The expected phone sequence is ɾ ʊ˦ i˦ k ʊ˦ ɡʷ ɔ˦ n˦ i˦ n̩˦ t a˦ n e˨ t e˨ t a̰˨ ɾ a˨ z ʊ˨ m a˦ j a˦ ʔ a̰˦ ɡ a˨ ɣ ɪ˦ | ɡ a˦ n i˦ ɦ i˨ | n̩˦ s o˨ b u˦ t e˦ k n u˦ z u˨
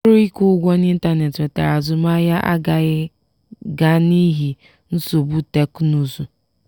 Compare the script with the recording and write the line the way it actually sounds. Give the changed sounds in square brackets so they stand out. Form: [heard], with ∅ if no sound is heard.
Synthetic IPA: ɾ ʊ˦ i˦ k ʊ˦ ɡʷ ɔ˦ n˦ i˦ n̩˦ t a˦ n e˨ t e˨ t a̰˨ ɾ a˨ z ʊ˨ m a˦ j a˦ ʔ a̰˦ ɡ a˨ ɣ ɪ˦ | ɡ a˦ n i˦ ɦ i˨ | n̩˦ s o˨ b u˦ t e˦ k n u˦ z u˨